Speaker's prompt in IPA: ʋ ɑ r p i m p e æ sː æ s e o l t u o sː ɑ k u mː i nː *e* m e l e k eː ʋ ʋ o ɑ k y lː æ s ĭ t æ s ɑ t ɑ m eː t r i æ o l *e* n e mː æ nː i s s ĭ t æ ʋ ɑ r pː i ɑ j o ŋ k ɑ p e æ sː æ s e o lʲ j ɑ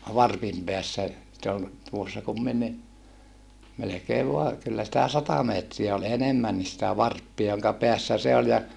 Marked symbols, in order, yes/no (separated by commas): no, yes